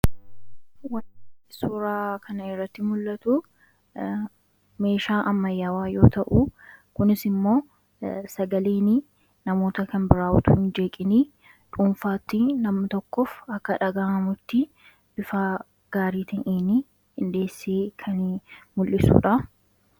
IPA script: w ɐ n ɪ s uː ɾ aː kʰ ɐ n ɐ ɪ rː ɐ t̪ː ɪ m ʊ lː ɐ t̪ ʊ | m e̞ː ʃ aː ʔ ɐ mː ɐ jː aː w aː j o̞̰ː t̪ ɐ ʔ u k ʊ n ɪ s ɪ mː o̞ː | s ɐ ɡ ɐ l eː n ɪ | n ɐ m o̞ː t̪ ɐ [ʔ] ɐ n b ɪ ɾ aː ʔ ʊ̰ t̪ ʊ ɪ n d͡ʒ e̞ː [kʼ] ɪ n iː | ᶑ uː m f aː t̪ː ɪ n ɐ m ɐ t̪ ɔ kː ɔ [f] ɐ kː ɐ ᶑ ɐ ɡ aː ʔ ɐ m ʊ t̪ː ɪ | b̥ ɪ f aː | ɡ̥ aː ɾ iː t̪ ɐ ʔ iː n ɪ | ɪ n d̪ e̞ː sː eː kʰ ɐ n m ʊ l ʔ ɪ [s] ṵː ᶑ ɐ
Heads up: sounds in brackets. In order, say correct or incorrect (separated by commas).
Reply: incorrect, correct, correct, correct